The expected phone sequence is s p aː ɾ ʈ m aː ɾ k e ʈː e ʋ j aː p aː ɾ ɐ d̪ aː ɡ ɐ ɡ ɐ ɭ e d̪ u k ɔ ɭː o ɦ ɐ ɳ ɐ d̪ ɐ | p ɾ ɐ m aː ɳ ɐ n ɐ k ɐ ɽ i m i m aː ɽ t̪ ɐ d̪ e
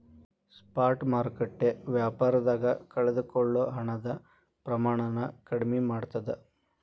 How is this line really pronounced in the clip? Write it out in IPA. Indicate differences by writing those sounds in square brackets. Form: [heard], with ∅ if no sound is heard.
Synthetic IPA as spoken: s p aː ɾ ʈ m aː ɾ k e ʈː e ʋ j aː p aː ɾ ɐ d̪ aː ɡ ɐ [k] ɐ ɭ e d̪ u k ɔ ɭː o ɦ ɐ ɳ ɐ d̪ ɐ | p ɾ ɐ m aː ɳ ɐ n ɐ k ɐ ɽ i m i m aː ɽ t̪ ɐ d̪ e